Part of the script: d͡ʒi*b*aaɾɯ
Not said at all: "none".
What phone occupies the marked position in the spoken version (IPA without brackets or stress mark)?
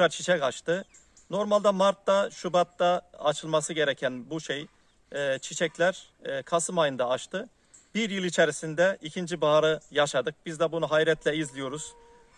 b